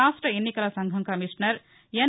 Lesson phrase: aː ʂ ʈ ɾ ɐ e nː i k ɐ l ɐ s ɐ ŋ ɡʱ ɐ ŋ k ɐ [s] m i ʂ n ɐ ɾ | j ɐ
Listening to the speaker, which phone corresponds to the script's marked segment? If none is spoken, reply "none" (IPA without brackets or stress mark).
none